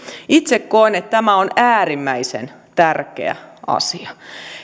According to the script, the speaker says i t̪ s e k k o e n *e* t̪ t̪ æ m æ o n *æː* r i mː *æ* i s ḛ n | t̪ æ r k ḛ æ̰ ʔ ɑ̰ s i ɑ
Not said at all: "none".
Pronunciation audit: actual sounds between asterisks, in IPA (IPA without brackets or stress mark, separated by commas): e, æː, æ